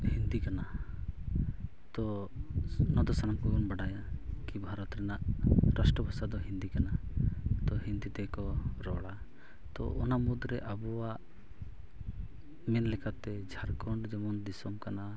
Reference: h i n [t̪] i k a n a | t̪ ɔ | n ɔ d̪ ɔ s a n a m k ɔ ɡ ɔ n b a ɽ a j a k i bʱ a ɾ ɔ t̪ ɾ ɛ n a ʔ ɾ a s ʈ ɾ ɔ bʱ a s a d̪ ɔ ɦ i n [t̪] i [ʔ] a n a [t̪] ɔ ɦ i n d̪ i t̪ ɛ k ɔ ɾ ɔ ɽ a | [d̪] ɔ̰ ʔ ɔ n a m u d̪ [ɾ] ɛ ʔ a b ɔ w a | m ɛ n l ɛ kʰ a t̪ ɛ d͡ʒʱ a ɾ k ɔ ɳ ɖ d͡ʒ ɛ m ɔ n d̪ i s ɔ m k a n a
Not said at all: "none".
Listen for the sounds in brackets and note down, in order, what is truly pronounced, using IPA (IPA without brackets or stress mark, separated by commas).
d̪, d̪, k, t̪, t̪, ɾ